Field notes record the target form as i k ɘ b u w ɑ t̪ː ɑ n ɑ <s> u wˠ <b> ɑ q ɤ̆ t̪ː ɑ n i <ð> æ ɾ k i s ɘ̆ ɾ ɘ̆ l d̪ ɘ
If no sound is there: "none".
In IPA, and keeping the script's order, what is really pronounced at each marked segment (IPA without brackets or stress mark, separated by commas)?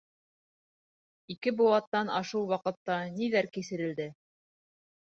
ʃ, w, ð